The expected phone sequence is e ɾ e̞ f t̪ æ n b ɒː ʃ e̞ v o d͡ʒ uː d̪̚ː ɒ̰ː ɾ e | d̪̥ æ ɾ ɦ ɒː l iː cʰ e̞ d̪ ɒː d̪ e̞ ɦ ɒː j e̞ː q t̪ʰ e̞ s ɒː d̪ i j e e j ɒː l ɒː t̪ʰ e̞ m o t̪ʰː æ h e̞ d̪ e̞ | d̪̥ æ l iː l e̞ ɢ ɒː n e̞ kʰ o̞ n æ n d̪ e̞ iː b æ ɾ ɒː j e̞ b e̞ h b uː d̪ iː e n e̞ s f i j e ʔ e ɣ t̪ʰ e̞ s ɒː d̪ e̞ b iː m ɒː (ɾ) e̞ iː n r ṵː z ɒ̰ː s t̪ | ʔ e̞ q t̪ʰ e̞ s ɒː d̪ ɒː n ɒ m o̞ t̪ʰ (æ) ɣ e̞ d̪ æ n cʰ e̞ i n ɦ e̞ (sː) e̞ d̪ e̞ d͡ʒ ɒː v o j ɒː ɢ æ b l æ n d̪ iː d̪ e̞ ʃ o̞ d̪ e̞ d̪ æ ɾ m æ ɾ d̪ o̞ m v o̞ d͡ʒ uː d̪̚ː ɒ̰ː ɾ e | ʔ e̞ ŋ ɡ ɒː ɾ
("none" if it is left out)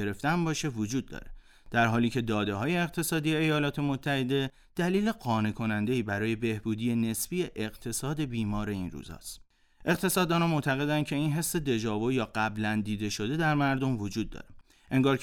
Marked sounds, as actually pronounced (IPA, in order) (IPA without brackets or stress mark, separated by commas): ɾ, æ, sː